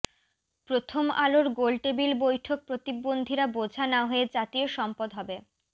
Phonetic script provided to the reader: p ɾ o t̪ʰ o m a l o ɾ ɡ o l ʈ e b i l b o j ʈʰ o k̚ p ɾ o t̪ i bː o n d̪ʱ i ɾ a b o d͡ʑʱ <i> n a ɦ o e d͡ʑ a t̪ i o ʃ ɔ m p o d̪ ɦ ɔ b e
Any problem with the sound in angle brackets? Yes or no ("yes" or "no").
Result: yes